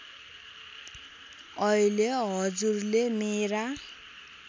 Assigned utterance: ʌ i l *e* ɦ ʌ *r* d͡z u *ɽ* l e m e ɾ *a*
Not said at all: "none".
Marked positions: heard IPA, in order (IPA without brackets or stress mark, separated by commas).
e, none, r, a